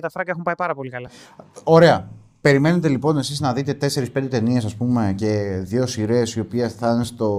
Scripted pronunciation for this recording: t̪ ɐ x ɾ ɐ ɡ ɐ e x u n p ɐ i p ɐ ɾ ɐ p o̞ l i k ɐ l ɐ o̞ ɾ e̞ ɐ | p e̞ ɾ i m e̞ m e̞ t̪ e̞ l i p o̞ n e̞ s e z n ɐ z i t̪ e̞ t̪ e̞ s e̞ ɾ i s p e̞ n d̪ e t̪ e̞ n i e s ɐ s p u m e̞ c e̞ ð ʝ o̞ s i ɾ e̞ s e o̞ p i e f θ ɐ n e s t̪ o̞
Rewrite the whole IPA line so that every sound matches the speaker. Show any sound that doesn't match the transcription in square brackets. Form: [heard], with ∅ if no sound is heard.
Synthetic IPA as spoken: t̪ ɐ [f] ɾ ɐ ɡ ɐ e x u [m] p ɐ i p ɐ ɾ ɐ p o̞ l i k ɐ l ɐ o̞ ɾ e̞ ɐ | p e̞ ɾ i m e̞ [n] e̞ t̪ e̞ l i p o̞ n e̞ s [i] z n ɐ [ð] i t̪ e̞ t̪ e̞ s e̞ ɾ i s p e̞ n d̪ e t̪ e̞ n i e s ɐ s p u m e̞ c e̞ ð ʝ o̞ s i ɾ e̞ s [i] o̞ p i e [s] θ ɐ n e s t̪ o̞